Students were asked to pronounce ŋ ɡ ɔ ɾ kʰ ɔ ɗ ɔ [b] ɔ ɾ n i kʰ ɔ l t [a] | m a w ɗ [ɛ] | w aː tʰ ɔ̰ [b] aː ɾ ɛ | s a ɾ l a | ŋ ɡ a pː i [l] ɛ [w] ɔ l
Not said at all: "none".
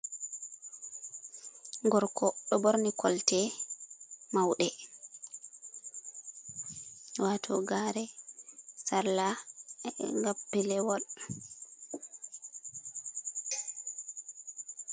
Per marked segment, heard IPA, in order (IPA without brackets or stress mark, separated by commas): b, ɛ, ɛ, ɡ, l, w